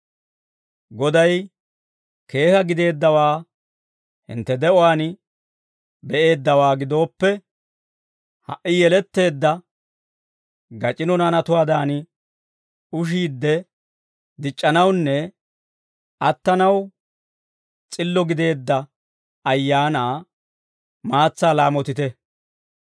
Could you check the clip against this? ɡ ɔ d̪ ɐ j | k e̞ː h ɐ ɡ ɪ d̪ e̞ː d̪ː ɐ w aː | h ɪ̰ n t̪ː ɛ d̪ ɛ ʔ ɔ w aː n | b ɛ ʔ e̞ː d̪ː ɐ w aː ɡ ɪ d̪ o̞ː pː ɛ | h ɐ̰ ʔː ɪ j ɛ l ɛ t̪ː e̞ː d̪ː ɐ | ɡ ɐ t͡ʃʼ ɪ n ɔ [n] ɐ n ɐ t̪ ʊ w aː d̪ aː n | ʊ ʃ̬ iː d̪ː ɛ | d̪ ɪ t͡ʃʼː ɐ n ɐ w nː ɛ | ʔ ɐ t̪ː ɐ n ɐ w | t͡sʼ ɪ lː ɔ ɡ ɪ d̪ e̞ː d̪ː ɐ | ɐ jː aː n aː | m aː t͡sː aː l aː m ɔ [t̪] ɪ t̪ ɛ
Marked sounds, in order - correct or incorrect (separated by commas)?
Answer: correct, correct